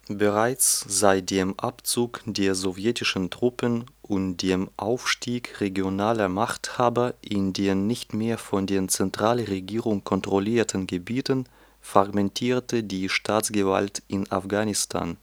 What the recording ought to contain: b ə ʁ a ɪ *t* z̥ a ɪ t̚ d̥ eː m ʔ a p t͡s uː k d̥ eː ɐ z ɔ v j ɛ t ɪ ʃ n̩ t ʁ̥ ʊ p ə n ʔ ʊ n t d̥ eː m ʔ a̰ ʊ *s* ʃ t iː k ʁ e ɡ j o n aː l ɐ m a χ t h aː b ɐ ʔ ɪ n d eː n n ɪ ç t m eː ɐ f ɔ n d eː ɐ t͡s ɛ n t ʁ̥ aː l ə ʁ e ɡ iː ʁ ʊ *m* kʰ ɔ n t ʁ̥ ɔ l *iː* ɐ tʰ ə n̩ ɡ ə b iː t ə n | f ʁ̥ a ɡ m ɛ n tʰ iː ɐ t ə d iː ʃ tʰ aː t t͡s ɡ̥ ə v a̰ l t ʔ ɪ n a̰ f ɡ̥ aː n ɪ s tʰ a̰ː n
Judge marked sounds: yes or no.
no, no, no, yes

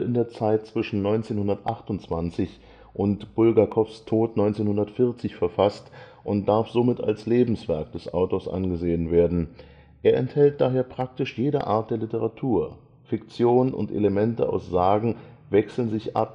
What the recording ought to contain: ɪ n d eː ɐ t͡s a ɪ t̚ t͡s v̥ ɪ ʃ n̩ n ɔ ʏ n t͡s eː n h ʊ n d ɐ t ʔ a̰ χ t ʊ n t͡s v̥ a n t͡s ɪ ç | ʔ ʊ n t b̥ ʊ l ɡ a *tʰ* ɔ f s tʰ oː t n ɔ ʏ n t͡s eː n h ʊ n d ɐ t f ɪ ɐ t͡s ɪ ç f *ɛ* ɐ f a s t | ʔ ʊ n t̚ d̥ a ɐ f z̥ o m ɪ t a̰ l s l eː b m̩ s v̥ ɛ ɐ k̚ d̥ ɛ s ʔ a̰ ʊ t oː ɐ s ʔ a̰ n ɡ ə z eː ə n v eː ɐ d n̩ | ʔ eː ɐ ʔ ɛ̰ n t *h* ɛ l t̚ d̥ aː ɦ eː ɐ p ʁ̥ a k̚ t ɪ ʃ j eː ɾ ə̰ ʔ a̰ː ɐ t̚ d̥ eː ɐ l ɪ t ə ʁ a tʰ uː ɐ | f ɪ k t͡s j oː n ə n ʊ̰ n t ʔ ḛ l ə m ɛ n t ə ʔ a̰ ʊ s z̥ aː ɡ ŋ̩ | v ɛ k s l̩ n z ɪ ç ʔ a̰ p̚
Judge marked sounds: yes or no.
no, yes, yes

